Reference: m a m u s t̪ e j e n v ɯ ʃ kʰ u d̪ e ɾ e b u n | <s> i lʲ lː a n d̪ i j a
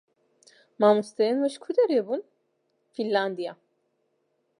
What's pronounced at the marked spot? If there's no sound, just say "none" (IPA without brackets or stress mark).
f